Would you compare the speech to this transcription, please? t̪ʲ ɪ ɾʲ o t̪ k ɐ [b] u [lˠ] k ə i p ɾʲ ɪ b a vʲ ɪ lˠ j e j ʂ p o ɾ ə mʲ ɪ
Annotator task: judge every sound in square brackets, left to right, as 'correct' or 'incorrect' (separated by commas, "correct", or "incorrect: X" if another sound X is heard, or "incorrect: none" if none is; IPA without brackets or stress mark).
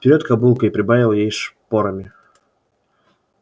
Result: correct, correct